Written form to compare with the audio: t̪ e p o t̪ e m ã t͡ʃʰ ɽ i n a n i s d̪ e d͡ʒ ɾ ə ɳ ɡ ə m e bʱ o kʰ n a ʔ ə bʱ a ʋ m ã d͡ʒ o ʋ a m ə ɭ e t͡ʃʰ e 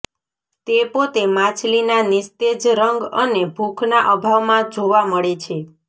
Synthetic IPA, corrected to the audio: t̪ e p o t̪ e m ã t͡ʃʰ l i n a n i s t̪ e d͡ʒ ɾ ə ŋ ɡ ə n e bʱ u kʰ n a ʔ ə bʱ a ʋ m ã d͡ʒ o ʋ a m ə ɭ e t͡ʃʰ e